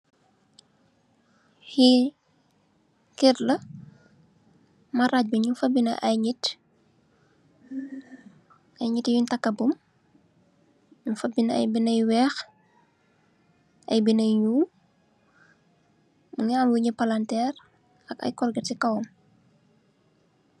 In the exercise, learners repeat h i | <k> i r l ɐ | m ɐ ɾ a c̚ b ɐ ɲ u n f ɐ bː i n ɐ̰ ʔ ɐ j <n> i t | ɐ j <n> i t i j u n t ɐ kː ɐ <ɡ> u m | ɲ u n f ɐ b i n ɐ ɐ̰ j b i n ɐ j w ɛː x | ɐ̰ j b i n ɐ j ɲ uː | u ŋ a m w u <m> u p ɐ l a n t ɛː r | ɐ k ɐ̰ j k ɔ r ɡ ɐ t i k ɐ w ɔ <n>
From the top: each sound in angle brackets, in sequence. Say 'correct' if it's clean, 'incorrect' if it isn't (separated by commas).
correct, incorrect, incorrect, incorrect, incorrect, incorrect